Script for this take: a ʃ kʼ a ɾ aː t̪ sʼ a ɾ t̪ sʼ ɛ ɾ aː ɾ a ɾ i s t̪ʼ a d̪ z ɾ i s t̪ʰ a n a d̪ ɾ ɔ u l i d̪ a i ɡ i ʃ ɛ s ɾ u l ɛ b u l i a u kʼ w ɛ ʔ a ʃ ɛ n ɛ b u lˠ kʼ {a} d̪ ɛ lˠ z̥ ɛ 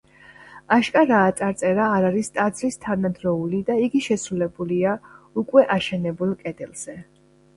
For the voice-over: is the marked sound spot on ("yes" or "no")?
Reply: no